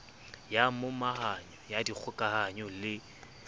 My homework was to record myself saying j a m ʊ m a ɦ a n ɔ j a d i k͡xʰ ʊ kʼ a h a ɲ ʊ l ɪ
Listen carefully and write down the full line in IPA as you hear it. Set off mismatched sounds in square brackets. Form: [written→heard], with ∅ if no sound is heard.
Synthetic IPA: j a m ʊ m a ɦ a [n→ɲ] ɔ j a d i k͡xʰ ʊ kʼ a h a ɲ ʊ l ɪ